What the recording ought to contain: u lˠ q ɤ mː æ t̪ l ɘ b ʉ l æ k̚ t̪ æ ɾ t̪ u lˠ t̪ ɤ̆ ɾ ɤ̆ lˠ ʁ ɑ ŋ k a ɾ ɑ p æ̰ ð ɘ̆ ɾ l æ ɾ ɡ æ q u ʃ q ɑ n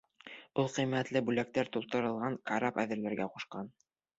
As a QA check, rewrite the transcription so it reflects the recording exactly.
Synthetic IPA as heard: u lˠ q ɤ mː æ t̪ l ɘ b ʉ l æ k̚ t̪ æ ɾ t̪ u lˠ t̪ ɤ̆ ɾ ɤ̆ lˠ ʁ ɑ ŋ k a ɾ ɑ p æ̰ ð ɘ̆ ɾ l æ ɾ ɡ æ q u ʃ q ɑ n